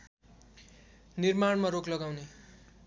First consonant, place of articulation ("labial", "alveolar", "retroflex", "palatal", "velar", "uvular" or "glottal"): alveolar